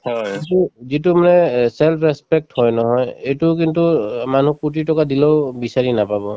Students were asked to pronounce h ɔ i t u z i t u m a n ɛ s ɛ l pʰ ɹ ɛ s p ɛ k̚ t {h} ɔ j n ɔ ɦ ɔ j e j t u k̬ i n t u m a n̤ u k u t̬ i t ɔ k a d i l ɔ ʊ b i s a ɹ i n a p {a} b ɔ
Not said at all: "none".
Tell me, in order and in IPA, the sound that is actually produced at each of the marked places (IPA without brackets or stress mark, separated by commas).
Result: h, a